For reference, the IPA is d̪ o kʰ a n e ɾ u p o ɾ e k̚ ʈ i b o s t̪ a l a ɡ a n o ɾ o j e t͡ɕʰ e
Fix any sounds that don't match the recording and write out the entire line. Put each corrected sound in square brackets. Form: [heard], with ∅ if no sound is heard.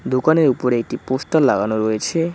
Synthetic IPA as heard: d̪ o [k] a n e ɾ u p o ɾ e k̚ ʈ i [p] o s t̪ a l a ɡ a n o ɾ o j e t͡ɕʰ e